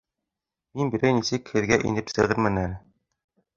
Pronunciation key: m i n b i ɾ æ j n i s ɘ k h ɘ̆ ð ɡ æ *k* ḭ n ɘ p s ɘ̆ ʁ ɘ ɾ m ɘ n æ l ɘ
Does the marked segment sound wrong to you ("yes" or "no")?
yes